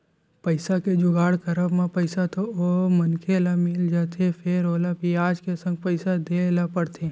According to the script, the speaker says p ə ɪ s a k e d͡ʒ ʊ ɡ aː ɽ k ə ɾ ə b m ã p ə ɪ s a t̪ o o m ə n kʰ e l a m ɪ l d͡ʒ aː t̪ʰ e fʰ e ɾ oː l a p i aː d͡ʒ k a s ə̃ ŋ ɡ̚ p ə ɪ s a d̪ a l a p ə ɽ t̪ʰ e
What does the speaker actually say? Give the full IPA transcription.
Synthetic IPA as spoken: p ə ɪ s a k e d͡ʒ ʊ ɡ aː ɽ k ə ɾ ə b m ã p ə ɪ s a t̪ o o m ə n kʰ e l a m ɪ l d͡ʒ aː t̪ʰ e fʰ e ɾ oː l a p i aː d͡ʒ k e s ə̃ ŋ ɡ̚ p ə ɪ s a d̪ e l a p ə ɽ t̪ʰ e